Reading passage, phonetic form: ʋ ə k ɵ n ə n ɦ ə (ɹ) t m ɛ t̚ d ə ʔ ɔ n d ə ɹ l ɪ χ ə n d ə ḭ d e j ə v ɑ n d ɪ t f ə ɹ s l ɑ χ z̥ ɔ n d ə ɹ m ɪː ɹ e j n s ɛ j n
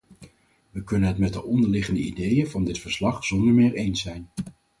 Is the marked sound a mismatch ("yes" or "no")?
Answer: yes